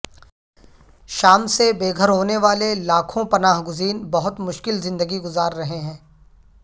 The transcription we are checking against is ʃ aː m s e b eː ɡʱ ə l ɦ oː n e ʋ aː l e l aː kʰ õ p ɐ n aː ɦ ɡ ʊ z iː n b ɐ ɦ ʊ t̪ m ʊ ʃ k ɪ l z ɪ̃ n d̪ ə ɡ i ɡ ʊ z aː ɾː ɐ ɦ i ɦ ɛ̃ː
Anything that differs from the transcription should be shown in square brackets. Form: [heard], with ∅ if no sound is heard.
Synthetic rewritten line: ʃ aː m s e b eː ɡʱ ə [ɾ] ɦ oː n e ʋ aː l e l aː kʰ õ p ɐ n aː ɦ ɡ ʊ z iː n b ɐ ɦ ʊ t̪ m ʊ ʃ k ɪ l z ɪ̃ n d̪ ə ɡ i ɡ ʊ z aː ɾː ɐ ɦ [e] ɦ ɛ̃ː